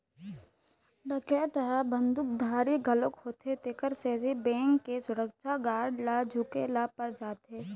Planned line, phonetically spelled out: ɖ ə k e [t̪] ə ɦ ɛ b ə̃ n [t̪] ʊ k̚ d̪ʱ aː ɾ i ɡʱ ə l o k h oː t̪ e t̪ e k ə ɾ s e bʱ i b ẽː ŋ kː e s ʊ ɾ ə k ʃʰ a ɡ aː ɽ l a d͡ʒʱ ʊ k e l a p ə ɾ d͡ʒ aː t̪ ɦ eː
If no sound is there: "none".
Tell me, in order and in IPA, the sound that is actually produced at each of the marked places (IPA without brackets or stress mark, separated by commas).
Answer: t̪, d̪